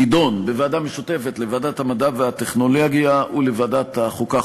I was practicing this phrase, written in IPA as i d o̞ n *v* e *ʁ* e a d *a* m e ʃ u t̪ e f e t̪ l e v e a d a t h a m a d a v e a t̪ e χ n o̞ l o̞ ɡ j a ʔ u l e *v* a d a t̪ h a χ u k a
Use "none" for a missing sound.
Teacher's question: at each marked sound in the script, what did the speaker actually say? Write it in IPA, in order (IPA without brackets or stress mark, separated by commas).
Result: b, v, a, v